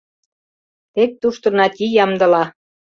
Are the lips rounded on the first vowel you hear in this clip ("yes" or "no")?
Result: no